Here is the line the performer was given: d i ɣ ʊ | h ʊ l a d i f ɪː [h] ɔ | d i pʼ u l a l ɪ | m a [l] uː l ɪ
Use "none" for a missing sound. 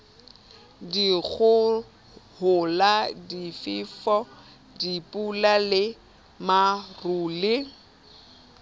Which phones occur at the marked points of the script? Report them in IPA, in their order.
f, r

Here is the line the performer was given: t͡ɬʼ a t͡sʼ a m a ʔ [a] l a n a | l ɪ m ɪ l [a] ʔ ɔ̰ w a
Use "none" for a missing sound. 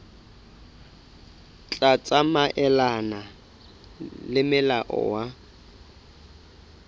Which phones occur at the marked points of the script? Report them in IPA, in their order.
ɛ, a

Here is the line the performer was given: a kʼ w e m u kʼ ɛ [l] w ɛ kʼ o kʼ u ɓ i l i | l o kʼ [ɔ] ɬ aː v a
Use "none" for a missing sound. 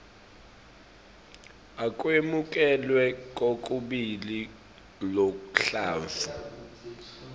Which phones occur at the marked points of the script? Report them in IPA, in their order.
l, u

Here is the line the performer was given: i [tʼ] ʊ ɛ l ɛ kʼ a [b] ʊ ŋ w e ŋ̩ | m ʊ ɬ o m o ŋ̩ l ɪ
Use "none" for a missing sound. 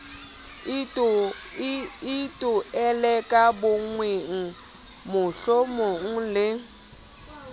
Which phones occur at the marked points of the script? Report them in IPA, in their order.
tʼ, b

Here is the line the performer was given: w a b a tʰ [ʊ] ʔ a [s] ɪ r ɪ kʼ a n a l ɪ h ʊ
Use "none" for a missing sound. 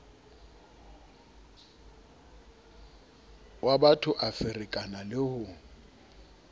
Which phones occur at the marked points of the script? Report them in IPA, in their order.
ʊ, f

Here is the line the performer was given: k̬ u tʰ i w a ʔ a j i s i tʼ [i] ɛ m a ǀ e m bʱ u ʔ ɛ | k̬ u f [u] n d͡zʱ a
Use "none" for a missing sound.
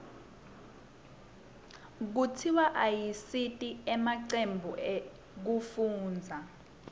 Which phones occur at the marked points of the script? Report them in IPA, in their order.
i, uː

